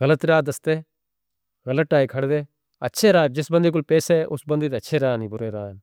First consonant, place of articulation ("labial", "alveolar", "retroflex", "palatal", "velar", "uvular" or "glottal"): velar